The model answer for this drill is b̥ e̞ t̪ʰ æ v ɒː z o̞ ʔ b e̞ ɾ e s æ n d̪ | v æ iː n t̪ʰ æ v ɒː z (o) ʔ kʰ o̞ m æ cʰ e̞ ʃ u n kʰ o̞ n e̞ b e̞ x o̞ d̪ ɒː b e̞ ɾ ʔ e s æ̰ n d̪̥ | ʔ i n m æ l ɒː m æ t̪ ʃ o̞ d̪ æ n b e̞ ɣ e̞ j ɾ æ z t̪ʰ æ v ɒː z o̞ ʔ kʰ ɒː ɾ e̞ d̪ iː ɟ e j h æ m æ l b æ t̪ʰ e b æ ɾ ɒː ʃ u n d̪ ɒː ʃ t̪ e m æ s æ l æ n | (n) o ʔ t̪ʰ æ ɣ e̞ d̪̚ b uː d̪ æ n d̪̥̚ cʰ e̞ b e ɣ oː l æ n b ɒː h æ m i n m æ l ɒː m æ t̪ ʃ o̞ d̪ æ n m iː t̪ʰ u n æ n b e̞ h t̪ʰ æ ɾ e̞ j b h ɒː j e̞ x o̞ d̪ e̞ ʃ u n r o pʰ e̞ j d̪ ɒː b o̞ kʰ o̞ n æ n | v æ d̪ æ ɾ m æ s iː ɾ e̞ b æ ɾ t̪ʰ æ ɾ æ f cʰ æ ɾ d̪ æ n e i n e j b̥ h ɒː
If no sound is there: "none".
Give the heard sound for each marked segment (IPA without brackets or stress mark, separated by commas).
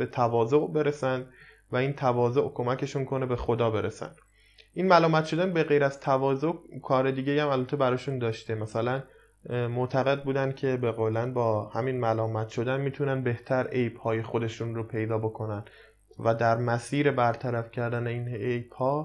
o, m